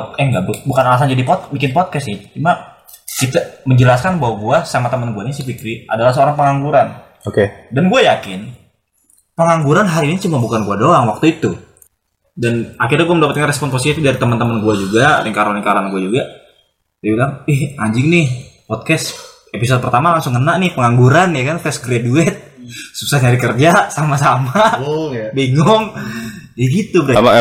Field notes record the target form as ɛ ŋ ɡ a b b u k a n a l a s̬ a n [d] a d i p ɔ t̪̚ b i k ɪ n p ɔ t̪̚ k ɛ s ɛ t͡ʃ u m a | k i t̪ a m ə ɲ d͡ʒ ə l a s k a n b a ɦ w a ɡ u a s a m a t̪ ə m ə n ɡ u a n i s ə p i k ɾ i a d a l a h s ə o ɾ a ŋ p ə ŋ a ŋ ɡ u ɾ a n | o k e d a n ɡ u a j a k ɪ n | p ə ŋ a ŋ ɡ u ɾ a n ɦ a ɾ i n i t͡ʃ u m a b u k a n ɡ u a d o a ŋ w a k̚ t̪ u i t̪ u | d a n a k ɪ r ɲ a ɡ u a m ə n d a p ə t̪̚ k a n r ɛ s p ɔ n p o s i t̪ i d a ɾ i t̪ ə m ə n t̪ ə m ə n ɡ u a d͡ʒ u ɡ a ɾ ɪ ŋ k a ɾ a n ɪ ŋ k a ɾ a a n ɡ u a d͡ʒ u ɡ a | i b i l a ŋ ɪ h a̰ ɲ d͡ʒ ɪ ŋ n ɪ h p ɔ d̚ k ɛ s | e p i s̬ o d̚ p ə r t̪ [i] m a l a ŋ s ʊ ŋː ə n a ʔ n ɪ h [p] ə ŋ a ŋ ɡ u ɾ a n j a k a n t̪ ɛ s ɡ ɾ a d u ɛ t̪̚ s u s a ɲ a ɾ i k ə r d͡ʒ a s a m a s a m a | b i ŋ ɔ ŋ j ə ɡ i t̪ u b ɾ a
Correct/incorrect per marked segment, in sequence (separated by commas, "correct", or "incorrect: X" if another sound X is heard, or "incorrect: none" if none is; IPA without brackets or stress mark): incorrect: d͡ʒ, incorrect: a, correct